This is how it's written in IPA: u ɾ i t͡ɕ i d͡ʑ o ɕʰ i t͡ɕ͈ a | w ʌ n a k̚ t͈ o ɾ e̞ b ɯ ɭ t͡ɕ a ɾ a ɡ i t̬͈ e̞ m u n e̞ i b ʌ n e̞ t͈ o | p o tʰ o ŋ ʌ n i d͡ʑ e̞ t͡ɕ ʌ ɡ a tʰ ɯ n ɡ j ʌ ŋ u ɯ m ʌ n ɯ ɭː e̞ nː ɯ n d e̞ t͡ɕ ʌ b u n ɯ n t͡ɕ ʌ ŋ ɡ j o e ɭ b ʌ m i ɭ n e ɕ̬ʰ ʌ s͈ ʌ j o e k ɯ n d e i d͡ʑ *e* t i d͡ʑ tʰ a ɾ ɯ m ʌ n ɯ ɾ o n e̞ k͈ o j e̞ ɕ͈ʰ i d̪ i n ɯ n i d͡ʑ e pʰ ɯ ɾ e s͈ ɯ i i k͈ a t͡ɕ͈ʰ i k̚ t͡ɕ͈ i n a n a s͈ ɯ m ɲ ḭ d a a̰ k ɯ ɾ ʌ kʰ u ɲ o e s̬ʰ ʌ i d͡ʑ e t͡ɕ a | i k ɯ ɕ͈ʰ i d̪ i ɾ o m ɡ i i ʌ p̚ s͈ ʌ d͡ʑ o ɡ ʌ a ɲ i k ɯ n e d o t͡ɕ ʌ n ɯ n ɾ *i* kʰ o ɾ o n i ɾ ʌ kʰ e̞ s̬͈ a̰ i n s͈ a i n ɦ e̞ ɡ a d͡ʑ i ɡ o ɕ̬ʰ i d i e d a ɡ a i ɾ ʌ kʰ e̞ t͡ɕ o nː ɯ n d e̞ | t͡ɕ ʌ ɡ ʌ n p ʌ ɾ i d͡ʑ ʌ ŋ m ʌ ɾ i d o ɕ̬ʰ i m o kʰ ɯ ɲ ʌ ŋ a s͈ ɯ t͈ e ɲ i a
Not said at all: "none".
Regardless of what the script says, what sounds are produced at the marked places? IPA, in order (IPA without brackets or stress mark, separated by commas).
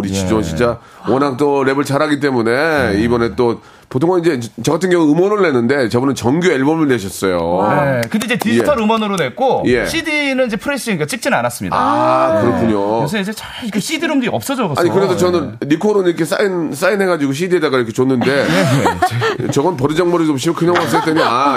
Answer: e, i